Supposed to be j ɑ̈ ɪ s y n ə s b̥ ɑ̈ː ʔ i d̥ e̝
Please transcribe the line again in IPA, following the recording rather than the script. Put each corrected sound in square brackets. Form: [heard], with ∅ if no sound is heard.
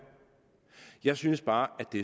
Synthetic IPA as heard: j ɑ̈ ɪ s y n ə s b̥ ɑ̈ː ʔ [æ] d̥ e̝